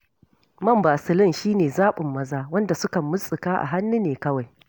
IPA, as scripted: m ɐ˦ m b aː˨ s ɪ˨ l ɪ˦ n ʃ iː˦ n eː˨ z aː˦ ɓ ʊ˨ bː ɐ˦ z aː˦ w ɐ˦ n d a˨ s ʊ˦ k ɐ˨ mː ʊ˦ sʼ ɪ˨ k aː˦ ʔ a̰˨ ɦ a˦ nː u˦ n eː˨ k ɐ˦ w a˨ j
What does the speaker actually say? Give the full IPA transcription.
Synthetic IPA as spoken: m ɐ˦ m b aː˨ s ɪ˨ l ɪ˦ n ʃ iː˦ n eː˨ z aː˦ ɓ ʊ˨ mː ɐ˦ z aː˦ w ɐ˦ n d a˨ s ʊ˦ k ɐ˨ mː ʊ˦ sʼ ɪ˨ k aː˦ ʔ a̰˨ ɦ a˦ nː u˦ n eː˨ k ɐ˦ w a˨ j